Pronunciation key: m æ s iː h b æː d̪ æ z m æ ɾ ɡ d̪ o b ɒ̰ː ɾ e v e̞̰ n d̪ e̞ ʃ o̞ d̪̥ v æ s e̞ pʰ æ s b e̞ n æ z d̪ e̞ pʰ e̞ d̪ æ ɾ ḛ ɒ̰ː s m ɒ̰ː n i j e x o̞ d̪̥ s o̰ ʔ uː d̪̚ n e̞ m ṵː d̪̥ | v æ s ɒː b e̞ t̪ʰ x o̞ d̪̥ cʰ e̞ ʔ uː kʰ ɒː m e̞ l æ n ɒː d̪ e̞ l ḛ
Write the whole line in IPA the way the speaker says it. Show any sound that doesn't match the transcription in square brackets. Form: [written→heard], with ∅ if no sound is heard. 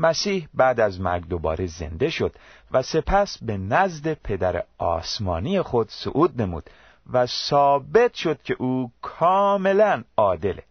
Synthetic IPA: m æ s iː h b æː d̪ æ z m æ ɾ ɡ d̪ o b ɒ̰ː ɾ e [v→z] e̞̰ n d̪ e̞ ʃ o̞ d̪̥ v æ s e̞ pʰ æ s b e̞ n æ z d̪ e̞ pʰ e̞ d̪ æ ɾ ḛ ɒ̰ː s m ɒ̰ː n i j e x o̞ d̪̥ s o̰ ʔ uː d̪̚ n e̞ m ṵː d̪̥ | v æ s ɒː b e̞ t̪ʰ [x→ʃ] o̞ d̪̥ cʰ e̞ ʔ uː kʰ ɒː m e̞ l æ n ɒː d̪ e̞ l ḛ